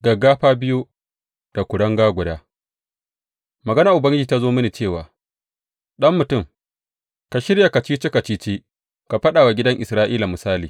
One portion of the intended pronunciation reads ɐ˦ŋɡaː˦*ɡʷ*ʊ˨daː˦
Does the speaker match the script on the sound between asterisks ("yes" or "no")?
yes